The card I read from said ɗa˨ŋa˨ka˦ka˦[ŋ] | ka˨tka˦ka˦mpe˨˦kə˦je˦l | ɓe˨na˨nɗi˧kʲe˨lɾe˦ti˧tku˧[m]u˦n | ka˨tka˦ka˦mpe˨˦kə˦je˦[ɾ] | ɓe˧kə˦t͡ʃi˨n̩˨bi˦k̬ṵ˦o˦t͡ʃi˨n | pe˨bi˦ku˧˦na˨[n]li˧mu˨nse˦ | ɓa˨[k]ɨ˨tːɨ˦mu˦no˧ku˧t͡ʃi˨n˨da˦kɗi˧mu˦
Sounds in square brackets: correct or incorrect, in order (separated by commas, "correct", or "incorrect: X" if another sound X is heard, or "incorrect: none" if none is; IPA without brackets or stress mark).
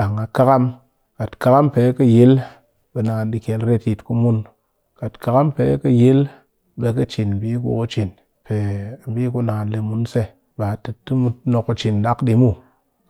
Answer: incorrect: m, correct, incorrect: l, correct, incorrect: t